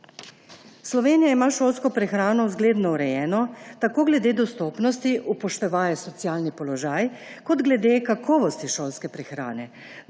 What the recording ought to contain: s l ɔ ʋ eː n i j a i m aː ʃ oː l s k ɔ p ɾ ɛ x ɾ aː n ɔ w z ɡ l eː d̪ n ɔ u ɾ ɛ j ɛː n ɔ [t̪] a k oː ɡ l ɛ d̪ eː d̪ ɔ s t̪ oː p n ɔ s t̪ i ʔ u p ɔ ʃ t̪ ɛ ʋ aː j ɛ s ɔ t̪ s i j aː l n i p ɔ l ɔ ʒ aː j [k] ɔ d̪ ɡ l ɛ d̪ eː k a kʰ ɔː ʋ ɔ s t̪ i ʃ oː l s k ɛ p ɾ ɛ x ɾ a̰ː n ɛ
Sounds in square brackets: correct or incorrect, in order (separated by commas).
correct, correct